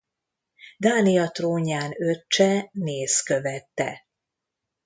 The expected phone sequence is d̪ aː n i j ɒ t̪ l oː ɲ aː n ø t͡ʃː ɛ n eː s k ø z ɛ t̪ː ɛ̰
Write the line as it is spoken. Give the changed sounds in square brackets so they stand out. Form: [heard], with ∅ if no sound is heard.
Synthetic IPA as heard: d̪ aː n i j ɒ t̪ [r] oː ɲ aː n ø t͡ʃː ɛ n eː s k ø [v] ɛ t̪ː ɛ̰